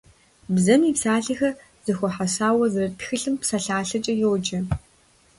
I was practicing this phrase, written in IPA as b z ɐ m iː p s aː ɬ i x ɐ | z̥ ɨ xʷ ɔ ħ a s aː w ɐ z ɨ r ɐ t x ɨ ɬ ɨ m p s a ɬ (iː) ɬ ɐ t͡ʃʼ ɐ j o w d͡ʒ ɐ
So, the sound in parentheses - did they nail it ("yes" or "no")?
no